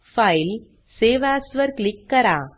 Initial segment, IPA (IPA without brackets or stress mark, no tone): f